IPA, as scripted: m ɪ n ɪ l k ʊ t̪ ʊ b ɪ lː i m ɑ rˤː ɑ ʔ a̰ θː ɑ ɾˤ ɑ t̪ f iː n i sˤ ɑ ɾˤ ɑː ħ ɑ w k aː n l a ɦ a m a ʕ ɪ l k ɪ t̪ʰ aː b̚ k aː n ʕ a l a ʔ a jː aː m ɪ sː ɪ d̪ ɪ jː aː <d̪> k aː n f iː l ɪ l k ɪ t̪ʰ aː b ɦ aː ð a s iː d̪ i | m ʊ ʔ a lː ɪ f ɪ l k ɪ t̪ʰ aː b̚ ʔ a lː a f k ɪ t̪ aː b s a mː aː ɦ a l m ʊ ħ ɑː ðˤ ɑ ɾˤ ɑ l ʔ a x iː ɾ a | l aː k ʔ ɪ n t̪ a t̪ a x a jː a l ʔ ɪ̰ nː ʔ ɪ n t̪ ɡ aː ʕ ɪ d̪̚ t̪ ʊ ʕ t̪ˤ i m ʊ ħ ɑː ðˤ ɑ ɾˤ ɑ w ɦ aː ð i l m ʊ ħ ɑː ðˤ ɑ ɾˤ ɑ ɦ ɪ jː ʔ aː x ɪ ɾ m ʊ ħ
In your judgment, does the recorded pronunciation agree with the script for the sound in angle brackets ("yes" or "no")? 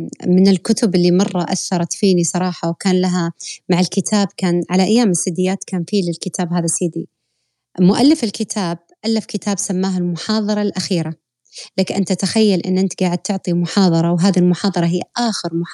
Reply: no